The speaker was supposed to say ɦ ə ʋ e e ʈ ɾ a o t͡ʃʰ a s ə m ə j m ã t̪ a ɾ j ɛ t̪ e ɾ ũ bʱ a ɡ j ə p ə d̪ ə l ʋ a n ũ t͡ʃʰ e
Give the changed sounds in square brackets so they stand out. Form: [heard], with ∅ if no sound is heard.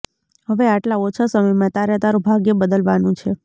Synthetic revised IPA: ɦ ə ʋ e [a] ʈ [l] a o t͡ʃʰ a s ə m ə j m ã t̪ a ɾ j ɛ t̪ [a] ɾ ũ bʱ a ɡ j ə [b] ə d̪ ə l ʋ a n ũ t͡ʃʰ e